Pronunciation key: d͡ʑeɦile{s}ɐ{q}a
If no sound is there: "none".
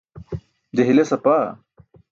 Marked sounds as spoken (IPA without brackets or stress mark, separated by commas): s, p